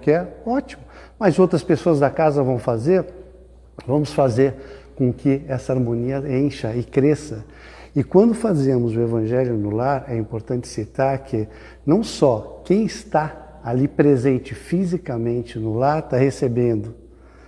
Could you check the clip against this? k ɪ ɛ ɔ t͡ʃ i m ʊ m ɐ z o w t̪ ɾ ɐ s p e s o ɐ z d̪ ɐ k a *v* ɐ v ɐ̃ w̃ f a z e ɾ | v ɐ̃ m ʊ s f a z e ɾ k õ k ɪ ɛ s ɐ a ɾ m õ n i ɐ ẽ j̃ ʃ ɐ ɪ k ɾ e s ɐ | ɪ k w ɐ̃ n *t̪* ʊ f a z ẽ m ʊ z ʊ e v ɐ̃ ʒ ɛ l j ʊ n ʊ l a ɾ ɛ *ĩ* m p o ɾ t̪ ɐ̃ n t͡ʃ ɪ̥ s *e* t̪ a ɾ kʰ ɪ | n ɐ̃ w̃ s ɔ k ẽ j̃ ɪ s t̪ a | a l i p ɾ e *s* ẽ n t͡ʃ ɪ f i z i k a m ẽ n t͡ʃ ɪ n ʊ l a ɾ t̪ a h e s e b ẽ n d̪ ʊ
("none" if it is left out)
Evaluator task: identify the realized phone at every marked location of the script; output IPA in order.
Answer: z, d̪, ĩ, i, z

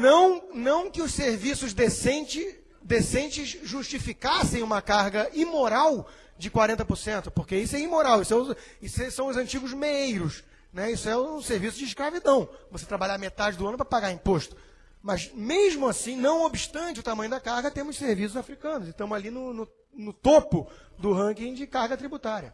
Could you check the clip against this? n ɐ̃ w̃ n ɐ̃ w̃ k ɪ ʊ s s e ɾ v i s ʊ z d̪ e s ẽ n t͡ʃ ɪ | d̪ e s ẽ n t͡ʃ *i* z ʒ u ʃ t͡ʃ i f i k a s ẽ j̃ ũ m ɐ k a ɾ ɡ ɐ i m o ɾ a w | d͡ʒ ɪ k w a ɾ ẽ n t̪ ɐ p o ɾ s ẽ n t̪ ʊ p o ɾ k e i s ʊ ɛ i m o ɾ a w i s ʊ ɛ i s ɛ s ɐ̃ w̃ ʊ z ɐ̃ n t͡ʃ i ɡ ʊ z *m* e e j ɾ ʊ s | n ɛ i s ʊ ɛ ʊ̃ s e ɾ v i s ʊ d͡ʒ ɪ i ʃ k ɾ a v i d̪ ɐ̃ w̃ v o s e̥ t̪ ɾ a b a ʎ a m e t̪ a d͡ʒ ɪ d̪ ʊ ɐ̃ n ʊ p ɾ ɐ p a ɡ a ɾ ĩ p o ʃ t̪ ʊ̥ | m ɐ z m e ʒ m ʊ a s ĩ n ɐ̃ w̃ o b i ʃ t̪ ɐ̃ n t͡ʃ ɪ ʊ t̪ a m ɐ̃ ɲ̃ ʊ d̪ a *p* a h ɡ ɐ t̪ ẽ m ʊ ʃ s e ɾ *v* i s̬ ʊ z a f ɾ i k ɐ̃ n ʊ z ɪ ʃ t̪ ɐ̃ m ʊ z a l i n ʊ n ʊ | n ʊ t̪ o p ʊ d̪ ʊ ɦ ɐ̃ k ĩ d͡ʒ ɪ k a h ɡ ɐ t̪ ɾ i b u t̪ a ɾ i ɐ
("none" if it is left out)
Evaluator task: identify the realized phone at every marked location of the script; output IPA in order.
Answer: ɪ, m, k, v

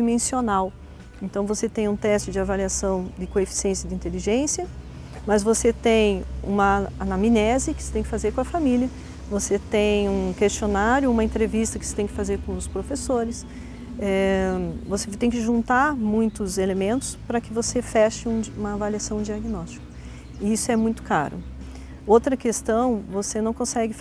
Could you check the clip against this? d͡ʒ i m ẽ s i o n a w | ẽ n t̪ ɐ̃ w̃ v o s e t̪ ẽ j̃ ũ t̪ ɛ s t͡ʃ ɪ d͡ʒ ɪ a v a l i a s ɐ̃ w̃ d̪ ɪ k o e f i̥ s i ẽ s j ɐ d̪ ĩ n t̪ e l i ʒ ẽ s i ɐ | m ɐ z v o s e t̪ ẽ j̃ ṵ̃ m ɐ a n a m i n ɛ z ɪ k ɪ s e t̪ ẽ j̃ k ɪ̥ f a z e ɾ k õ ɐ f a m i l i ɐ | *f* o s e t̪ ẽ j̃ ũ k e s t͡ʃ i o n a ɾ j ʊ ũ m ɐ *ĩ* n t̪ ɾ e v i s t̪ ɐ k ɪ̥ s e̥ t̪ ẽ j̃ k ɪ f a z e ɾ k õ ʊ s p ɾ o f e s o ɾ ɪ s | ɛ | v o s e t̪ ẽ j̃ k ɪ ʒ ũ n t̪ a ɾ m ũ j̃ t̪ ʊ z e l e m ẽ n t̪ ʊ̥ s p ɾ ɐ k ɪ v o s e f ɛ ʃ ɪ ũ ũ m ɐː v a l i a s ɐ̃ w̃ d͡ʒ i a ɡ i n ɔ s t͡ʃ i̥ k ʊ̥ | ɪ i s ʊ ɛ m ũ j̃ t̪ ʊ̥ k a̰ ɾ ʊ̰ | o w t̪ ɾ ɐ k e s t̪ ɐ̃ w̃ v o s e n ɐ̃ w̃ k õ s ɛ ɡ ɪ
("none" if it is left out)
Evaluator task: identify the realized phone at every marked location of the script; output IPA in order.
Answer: v, ẽ

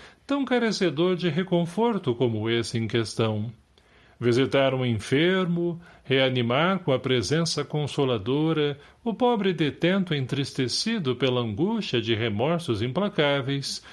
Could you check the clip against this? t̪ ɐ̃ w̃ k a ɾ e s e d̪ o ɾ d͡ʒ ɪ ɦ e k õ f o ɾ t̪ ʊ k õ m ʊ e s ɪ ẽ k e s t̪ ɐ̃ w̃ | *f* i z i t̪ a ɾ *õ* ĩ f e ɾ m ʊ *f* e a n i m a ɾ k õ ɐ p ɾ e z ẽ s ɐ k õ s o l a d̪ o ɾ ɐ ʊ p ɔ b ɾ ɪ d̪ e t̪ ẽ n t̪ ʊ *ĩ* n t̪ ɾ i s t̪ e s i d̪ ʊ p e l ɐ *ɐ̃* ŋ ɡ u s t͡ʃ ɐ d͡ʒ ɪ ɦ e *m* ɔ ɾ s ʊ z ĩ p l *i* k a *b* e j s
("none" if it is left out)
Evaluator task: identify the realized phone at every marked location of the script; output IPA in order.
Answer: v, ũ, h, ẽ, ɐ̃, m, a, v

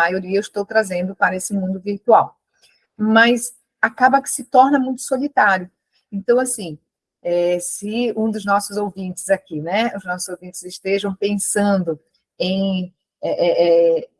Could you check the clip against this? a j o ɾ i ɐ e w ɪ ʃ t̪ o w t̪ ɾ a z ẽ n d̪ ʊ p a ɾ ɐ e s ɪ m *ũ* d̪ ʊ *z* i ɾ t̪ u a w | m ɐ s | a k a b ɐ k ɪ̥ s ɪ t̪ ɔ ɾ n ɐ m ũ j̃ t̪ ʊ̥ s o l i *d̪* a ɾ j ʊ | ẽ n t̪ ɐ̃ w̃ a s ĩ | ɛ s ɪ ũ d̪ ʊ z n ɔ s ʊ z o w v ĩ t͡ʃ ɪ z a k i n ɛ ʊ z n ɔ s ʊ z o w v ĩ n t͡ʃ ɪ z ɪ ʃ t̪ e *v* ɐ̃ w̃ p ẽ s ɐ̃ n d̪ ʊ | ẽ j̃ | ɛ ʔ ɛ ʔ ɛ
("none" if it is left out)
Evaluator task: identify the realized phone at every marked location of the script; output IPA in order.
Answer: ũ, v, t̪, ʒ

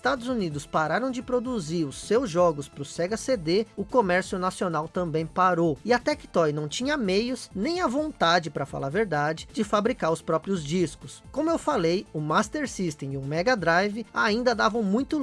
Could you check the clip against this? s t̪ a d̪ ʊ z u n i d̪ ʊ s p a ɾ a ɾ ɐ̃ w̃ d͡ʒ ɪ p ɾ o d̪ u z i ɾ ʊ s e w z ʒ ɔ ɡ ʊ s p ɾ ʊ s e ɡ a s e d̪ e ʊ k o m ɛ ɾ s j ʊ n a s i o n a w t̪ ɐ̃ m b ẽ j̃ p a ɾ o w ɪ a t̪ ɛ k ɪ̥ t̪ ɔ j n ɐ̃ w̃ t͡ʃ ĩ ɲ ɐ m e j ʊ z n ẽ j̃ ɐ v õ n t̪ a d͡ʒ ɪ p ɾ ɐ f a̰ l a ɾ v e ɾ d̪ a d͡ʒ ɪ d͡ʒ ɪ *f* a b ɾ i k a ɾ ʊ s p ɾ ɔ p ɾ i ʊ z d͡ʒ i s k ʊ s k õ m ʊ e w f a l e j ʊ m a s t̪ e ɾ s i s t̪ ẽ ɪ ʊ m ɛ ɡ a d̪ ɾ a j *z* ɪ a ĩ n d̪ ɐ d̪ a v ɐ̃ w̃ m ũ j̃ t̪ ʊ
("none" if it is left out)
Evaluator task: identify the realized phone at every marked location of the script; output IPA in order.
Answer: f, v

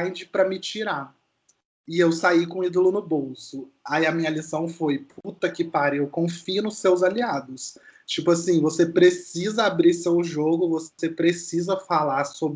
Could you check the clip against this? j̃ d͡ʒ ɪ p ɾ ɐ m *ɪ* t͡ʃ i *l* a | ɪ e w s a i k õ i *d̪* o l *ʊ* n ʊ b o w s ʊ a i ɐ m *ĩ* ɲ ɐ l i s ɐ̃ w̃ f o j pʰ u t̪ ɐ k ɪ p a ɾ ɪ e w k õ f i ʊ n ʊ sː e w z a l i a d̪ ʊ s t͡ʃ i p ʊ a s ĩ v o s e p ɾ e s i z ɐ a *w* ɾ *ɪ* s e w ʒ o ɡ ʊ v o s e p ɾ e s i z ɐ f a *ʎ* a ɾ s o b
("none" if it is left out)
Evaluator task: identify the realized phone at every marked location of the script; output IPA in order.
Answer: ɪ, ɾ, d̪, ʊ, ĩ, b, i, l

